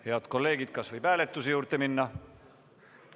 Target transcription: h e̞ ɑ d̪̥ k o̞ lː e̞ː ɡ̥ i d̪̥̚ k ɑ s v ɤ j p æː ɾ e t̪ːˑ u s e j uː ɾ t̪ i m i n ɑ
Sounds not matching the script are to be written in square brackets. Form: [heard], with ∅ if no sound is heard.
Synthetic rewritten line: h e̞ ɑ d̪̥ k o̞ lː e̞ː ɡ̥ i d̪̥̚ k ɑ s v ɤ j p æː [l] e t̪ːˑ u s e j uː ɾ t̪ [e] m i [nː] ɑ